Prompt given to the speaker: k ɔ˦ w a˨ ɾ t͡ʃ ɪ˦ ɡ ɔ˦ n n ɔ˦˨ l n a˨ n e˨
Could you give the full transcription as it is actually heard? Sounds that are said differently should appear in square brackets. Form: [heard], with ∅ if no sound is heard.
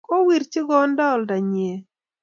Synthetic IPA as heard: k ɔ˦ w [i˨] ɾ t͡ʃ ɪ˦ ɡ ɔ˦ n [d] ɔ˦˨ l [d] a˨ [ɲ] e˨